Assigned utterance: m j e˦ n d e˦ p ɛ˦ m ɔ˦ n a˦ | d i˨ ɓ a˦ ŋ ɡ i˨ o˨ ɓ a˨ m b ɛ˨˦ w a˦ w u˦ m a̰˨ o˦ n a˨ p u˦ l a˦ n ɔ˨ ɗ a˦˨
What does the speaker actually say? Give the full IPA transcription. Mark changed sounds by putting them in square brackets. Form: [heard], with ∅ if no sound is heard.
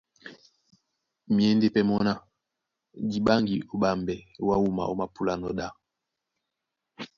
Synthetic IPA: m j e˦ n d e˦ p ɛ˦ m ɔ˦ n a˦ | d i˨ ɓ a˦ ŋ ɡ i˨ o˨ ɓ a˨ m b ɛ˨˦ w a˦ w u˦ m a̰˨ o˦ [m] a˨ p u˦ l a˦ n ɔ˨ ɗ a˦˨